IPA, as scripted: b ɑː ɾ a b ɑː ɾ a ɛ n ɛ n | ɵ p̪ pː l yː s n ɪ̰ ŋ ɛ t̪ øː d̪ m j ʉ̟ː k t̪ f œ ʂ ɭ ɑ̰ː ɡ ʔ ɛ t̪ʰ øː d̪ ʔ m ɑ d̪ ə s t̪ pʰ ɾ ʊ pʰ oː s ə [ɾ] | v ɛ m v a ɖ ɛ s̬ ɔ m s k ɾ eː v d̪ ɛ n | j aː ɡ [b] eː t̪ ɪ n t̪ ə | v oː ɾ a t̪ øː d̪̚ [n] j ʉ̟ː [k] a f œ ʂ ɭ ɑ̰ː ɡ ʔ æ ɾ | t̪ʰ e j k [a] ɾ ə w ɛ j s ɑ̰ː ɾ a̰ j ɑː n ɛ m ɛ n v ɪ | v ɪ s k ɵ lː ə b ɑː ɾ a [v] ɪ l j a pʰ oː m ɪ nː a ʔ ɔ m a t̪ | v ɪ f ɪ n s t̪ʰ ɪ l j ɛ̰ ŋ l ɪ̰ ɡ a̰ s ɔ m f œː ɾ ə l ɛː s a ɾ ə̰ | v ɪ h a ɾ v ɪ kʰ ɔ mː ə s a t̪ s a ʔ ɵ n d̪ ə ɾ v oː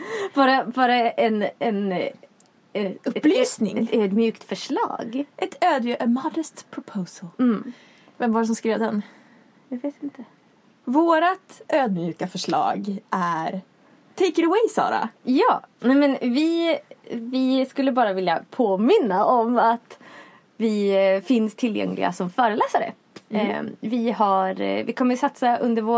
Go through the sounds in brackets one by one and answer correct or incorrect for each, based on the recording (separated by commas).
incorrect, incorrect, incorrect, correct, incorrect, correct